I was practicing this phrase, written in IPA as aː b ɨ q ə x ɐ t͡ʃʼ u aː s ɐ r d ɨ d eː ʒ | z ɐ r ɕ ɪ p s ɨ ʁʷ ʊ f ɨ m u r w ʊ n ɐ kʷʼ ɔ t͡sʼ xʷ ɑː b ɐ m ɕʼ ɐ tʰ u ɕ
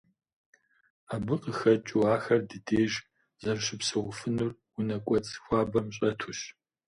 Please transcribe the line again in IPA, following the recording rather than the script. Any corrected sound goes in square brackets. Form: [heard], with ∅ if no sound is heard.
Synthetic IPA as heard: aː b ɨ q ə x ɐ t͡ʃʼ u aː [x] ɐ r d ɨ d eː ʒ | z ɐ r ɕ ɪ p s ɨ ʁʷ ʊ f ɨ [n] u r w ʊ n ɐ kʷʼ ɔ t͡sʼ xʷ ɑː b ɐ m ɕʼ ɐ tʰ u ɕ